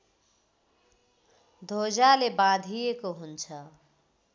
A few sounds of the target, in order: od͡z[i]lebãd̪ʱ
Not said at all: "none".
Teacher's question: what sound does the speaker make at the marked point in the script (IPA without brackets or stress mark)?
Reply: a